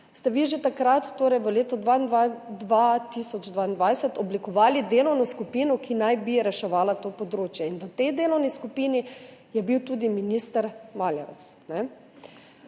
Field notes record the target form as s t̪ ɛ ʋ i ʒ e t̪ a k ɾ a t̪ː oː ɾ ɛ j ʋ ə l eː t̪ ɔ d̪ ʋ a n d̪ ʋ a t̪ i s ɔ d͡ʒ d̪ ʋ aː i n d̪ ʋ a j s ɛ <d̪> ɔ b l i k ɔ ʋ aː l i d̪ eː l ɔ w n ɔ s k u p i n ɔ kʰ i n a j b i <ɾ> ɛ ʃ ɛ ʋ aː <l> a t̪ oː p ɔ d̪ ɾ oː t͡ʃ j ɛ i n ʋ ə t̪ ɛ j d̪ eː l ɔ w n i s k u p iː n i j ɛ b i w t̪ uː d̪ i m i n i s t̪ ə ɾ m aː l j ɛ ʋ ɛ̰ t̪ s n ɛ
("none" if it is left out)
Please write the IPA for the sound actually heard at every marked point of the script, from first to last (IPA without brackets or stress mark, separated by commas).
t̪, ɾ, l